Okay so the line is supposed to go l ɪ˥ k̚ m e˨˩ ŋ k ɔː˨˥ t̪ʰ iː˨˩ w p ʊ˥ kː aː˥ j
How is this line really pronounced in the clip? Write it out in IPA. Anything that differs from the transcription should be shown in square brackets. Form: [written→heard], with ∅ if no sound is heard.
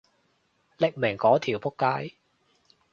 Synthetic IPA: l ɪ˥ k̚ m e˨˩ ŋ k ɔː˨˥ t̪ʰ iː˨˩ w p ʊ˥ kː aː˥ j